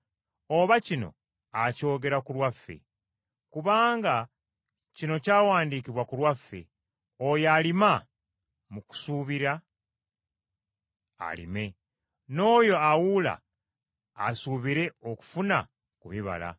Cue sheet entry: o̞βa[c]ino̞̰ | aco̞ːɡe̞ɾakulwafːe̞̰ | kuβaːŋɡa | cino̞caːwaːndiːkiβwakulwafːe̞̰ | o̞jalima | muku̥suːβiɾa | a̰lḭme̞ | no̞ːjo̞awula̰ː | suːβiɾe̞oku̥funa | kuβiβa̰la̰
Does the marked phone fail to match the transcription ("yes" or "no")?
no